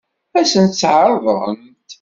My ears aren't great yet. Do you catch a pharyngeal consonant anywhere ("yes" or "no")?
yes